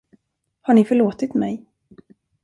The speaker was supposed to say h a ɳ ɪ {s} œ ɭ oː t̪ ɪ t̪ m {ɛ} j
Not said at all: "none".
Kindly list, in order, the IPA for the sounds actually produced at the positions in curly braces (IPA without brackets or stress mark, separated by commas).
f, ɛ